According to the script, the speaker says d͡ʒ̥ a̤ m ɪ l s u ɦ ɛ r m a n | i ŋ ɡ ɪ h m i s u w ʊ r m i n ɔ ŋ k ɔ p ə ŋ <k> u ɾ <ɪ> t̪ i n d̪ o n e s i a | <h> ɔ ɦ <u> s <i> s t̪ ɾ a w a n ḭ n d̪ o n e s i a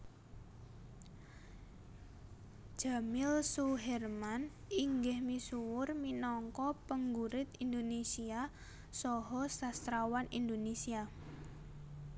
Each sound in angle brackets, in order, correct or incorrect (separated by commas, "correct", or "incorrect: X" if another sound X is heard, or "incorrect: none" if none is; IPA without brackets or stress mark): incorrect: ɡ, correct, incorrect: s, incorrect: ɔ, incorrect: a